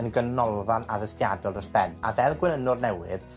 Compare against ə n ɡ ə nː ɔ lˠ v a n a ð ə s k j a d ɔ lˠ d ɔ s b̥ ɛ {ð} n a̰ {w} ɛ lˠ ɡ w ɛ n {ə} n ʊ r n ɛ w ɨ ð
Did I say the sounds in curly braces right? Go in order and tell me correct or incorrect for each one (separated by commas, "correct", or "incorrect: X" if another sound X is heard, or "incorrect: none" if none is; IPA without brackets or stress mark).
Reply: incorrect: none, incorrect: v, correct